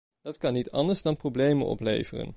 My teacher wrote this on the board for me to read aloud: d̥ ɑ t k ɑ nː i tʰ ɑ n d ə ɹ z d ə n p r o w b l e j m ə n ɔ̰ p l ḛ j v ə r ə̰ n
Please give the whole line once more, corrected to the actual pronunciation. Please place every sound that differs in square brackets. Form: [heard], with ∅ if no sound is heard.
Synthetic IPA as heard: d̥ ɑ t k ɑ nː i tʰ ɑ n d ə ɹ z d [ɑ] n p r o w b l e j m ə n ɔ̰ p l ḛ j v ə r ə̰ n